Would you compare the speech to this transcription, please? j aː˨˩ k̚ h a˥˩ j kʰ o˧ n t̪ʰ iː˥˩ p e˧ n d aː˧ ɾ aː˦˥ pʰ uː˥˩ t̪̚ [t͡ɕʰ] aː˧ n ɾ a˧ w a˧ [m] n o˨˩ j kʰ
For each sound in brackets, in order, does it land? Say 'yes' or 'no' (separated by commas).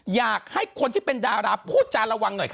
no, no